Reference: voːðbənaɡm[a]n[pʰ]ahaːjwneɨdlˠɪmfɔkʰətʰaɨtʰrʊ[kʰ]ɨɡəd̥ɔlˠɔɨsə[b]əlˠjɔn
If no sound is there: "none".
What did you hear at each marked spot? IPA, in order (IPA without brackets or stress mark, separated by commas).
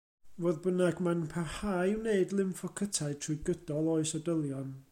a, pʰ, none, d